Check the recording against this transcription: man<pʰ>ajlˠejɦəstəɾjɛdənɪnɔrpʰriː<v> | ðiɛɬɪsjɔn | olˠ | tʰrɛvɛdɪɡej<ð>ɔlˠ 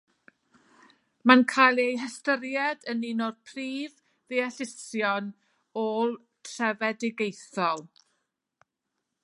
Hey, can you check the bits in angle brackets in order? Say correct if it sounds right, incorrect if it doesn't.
incorrect: kʰ, correct, incorrect: θ

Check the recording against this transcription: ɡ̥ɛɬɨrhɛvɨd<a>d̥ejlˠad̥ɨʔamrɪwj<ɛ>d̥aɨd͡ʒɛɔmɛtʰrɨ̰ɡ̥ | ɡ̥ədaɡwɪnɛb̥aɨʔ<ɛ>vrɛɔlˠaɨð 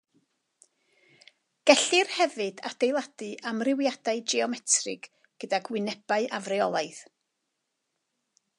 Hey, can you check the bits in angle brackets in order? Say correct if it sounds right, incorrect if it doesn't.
correct, incorrect: a, incorrect: a

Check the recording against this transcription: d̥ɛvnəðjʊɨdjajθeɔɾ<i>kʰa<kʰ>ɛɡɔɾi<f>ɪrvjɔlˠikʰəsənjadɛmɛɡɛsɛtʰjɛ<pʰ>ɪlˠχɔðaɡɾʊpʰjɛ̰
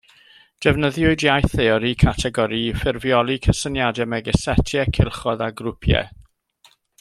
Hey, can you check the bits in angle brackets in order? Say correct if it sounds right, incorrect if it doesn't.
correct, incorrect: tʰ, correct, incorrect: kʰ

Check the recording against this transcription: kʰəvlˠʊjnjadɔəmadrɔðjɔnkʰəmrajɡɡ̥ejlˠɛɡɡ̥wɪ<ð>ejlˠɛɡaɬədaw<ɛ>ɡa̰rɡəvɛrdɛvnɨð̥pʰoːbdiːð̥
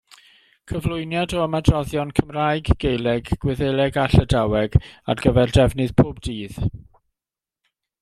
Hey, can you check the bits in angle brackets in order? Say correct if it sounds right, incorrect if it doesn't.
correct, correct

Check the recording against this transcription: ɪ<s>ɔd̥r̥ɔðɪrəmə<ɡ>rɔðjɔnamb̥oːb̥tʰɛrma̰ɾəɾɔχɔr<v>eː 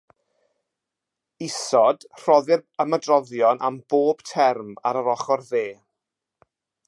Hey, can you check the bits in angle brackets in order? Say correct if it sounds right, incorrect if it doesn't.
correct, incorrect: d, incorrect: ð

